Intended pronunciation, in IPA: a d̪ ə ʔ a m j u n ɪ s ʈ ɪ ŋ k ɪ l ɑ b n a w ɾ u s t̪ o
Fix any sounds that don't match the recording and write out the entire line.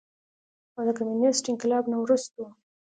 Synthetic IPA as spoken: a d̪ ə k a m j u n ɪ s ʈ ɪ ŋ k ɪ l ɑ b n a w ɾ u s t̪ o

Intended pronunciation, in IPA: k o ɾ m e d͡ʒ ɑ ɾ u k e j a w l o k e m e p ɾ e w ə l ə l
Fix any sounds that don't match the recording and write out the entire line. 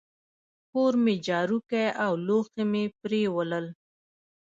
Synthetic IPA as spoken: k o ɾ m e d͡ʒ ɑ ɾ u k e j a w l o x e m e p ɾ e w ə l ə l

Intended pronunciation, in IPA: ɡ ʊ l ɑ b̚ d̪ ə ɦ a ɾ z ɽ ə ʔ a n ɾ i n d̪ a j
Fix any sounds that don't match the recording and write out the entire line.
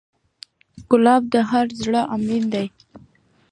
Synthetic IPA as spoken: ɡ ʊ l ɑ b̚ d̪ ə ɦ a ɾ z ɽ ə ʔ a m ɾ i n d̪ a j

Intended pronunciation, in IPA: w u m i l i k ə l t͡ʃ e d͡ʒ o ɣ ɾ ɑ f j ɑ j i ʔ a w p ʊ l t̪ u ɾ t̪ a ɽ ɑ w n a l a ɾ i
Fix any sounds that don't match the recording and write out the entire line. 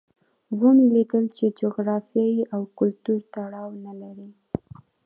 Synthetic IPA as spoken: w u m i l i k ə l t͡ʃ e d͡ʒ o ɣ ɾ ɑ f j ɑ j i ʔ a w k ʊ l t̪ u ɾ t̪ a ɽ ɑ w n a l a ɾ i

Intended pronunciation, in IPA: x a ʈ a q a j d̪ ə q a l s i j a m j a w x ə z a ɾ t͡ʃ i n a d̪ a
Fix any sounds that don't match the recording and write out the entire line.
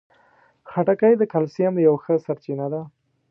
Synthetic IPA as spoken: x a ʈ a k a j d̪ ə k a l s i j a m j a w x ə s a ɾ t͡ʃ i n a d̪ a

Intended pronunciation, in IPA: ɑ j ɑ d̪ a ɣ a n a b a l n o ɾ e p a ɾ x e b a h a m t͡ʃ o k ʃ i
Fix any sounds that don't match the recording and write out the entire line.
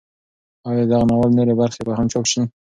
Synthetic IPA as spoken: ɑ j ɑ d̪ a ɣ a n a w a l n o ɾ e b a ɾ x e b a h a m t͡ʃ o k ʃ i

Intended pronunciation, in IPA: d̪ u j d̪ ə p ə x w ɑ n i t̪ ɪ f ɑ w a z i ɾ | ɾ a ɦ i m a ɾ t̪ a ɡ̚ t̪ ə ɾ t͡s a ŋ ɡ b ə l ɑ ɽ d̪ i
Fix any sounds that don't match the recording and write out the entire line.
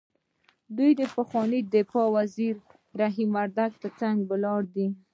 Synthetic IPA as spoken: d̪ u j d̪ ə p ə x w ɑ n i d̪ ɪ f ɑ w a z i ɾ | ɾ a ɦ i m a ɾ d̪ a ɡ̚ t̪ ə ɾ t͡s a ŋ ɡ b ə l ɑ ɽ d̪ i

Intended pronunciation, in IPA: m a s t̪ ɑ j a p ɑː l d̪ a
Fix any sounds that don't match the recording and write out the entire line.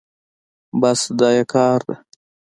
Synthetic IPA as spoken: b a s d̪ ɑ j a k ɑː ɾ d̪ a

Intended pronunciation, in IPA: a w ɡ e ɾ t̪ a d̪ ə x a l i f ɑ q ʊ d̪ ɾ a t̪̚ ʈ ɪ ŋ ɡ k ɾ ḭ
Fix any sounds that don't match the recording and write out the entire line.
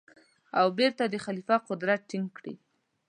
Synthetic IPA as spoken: a w b e ɾ t̪ a d̪ ə x a l i f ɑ q ʊ d̪ ɾ a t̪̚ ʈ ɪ ŋ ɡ k ɽ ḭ

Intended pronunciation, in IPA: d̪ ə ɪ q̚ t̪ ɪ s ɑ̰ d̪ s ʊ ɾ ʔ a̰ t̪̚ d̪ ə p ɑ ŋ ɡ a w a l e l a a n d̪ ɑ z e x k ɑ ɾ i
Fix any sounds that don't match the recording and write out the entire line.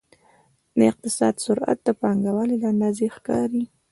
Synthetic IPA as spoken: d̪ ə ɪ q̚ t̪ ɪ s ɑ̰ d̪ s ʊ ɾ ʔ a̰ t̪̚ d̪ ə p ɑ ŋ ɡ a w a l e l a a n d̪ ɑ z e x k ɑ ɾ i

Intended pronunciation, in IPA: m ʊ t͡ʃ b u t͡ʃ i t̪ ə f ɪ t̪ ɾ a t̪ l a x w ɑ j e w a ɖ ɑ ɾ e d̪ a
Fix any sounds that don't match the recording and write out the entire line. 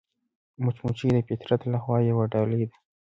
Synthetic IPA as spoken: m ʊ t͡ʃ m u t͡ʃ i d̪ ə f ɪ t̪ ɾ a t̪ l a x w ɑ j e w a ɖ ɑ l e d̪ a

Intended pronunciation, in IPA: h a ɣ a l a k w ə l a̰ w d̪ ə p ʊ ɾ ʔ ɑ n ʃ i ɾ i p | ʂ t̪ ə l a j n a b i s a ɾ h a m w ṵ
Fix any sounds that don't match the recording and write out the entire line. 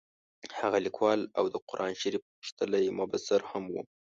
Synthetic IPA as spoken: h a ɣ a l i k w ɑ l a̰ w d̪ ə q ʊ ɾ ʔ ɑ n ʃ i ɾ i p | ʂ t̪ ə l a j m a b a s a ɾ h a m w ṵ

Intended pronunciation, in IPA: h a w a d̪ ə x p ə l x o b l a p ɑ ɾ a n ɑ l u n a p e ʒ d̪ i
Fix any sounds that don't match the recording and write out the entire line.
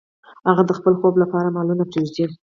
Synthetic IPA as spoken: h a ɣ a d̪ ə x p ə l x o b l a p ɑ ɾ a m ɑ l u n a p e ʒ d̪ i

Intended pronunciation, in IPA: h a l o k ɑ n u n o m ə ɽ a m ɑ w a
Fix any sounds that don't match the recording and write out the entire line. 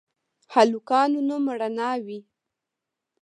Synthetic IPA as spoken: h a l u k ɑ n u n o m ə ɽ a n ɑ w i

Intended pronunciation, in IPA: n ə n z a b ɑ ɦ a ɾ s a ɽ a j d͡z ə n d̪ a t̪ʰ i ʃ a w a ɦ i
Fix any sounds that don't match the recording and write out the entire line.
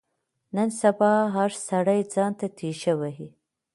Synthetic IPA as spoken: n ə n s a b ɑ ɦ a ɾ s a ɽ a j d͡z ɑ n t̪ a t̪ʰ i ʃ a w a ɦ i

